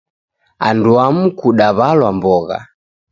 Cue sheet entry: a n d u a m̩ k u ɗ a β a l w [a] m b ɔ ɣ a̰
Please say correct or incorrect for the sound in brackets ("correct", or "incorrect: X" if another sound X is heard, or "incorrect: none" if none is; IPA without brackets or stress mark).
correct